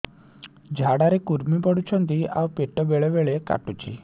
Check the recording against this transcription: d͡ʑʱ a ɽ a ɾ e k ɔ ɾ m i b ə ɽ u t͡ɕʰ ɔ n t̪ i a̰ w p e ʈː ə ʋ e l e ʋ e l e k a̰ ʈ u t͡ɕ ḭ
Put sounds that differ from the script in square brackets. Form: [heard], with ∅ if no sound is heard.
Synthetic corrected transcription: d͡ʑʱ a ɽ a ɾ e k [u] ɾ m i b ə ɽ u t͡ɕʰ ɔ n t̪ i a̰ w p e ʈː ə ʋ e [ɭ] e ʋ e [ɭ] e k a̰ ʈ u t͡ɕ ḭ